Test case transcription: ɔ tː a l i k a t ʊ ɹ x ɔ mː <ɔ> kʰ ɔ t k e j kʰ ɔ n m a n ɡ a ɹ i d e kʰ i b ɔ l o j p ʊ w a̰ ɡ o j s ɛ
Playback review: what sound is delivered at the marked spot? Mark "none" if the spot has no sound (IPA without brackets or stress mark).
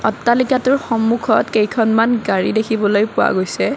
u